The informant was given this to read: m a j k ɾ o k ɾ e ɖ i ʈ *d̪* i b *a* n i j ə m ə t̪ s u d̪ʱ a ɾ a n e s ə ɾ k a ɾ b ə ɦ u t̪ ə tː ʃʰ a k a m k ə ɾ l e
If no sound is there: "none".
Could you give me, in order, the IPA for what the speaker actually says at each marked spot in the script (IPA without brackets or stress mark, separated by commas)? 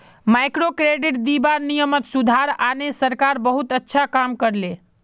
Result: d̪, a